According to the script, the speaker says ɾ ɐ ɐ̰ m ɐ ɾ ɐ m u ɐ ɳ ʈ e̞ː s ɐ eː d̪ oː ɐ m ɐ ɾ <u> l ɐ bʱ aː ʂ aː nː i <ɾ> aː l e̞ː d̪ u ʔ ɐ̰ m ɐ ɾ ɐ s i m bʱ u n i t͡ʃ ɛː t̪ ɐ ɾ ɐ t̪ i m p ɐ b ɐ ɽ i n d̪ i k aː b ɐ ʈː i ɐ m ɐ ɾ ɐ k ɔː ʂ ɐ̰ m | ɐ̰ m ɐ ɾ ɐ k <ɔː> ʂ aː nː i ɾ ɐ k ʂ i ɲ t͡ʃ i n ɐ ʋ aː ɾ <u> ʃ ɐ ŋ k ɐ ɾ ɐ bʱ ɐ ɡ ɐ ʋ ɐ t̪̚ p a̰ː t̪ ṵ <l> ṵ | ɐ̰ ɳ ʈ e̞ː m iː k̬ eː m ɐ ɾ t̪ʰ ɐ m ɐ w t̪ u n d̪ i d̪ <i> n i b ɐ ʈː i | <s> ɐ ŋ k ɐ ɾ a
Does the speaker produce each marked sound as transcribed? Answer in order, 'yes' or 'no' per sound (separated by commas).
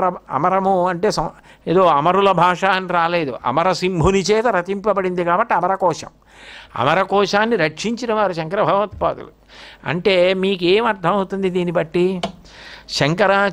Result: yes, yes, yes, yes, yes, no, no